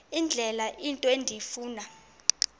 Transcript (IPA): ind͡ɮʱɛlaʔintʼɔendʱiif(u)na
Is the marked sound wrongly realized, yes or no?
yes